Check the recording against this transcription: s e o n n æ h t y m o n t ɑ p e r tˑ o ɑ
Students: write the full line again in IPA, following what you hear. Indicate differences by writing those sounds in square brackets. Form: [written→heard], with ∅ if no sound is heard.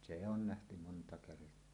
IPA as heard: s e o n n æ h t y m o n t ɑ [p→k] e r tˑ o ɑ